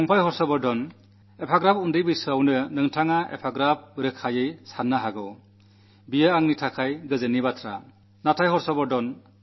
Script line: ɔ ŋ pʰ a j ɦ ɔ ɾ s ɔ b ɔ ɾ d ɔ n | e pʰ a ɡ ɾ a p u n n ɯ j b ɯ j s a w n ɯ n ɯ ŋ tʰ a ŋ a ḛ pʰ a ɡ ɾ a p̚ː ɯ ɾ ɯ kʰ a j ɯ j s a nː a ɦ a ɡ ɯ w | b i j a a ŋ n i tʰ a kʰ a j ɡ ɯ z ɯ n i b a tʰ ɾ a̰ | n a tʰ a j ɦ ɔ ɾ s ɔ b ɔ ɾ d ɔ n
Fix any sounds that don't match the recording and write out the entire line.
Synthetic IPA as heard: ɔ ŋ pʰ a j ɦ ɔ ɾ s ɔ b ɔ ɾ d ɔ n | e pʰ a ɡ ɾ a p u n d ɯ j b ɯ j s a w n ɯ n ɯ ŋ tʰ a ŋ a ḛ pʰ a ɡ ɾ a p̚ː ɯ ɾ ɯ kʰ a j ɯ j s a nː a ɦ a ɡ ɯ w | b i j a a ŋ n i tʰ a kʰ a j ɡ ɯ z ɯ n i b a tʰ ɾ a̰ | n a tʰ a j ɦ ɔ ɾ s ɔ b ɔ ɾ d ɔ n